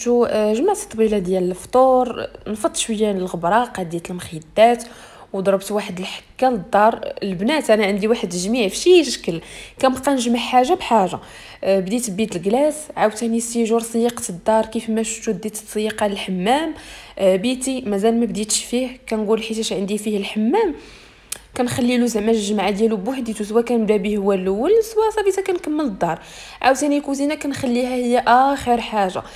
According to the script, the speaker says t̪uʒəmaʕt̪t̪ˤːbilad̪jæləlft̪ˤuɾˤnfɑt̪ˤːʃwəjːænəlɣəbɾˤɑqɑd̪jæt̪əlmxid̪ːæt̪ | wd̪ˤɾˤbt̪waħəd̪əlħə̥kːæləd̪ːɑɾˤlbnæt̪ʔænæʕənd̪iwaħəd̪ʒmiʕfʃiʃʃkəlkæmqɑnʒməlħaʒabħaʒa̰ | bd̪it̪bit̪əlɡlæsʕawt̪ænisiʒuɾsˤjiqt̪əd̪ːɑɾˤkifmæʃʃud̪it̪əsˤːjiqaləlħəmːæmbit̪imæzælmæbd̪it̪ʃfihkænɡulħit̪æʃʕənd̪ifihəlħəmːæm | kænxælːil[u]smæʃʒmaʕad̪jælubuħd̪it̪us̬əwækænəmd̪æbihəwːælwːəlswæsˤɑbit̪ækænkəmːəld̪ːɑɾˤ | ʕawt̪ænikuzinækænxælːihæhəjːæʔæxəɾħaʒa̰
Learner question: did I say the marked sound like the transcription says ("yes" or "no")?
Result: yes